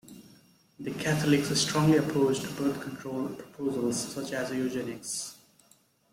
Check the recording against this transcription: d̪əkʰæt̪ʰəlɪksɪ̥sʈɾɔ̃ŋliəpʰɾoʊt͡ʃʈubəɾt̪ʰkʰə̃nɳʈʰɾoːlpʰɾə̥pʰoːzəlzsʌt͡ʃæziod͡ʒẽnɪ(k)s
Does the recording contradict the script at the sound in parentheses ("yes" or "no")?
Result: no